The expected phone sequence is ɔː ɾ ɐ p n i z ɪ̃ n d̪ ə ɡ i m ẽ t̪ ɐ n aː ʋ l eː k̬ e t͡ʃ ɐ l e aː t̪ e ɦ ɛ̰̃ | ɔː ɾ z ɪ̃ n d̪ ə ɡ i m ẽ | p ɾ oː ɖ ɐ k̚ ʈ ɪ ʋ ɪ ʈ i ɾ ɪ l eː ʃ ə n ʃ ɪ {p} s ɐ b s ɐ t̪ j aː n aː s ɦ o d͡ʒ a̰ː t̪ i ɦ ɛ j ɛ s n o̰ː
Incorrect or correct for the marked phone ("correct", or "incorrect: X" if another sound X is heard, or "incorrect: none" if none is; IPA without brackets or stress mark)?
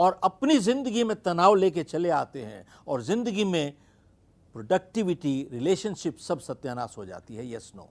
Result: correct